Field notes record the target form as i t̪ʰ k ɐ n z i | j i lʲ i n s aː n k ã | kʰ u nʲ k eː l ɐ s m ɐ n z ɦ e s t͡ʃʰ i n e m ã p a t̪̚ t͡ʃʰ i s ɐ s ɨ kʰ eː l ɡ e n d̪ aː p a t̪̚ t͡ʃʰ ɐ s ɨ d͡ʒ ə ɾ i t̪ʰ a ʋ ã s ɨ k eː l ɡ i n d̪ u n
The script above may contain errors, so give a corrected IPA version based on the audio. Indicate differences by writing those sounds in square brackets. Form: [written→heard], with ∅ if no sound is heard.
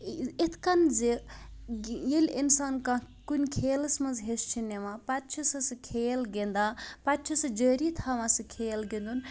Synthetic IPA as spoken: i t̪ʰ k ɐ n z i | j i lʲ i n s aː n k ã | [kʰ→k] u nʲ [k→kʰ] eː l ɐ s m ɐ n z ɦ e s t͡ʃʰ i n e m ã p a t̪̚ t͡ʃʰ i s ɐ s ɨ kʰ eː l ɡ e n d̪ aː p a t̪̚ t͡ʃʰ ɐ s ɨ d͡ʒ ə ɾ i t̪ʰ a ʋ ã s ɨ [k→kʰ] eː l ɡ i n d̪ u n